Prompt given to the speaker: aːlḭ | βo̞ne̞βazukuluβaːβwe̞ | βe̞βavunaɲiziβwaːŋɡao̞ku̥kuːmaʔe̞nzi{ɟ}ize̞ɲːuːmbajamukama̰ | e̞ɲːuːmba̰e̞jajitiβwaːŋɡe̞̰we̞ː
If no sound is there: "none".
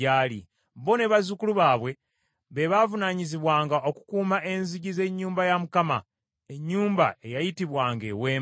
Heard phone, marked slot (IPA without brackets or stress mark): ɟ